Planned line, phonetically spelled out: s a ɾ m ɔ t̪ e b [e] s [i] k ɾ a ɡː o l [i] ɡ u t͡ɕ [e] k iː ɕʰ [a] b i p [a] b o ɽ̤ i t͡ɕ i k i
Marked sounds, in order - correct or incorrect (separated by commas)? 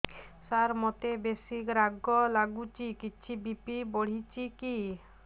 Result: correct, correct, incorrect, incorrect, incorrect, incorrect